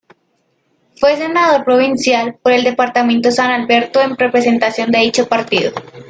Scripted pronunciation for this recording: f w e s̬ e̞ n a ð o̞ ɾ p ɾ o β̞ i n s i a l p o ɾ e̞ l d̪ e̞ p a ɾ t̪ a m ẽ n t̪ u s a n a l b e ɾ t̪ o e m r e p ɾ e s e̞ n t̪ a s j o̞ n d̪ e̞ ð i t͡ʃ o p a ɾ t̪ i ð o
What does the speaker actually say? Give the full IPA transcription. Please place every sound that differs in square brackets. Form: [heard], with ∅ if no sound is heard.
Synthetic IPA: f w e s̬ e̞ n a ð o̞ ɾ p ɾ o β̞ i n s [j] a l p o ɾ e̞ l d̪ e̞ p a ɾ t̪ a m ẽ n t̪ [o] s a n a l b e ɾ t̪ o e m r e p ɾ e s e̞ n t̪ a s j o̞ n d̪ e̞ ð i t͡ʃ o p a ɾ t̪ i ð o

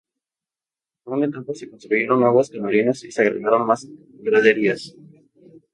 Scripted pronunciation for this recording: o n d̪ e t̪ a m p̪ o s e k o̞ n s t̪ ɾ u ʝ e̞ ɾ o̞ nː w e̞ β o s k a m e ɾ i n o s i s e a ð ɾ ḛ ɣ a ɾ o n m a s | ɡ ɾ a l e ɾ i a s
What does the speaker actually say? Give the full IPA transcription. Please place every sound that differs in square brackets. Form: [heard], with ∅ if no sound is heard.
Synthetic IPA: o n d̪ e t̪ a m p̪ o s e k o̞ n s t̪ ɾ u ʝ e̞ ɾ o̞ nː w e̞ β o s k a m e ɾ i n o s i s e a [ɣ] ɾ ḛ ɣ a ɾ o n m a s | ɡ ɾ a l e ɾ i a s

